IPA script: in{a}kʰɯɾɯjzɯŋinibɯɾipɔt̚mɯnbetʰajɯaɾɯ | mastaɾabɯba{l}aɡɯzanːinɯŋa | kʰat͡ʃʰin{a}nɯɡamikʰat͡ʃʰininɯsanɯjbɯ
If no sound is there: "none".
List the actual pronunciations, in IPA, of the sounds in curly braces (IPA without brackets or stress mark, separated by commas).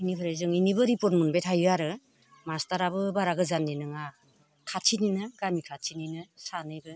i, ɾ, i